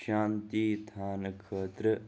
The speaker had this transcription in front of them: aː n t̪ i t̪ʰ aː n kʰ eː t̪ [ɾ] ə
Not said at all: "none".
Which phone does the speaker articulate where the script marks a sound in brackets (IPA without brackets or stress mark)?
ɾ